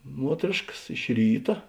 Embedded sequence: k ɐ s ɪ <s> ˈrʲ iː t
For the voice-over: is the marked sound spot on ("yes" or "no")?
no